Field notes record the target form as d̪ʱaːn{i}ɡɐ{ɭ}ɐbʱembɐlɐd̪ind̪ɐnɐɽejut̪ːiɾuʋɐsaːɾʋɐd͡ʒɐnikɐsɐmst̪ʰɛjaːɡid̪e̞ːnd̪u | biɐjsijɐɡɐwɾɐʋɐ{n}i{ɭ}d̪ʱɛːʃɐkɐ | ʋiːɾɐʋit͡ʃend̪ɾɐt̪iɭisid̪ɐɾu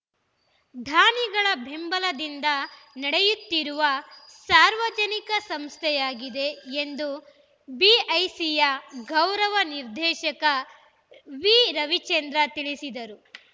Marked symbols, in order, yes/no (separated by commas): yes, yes, yes, no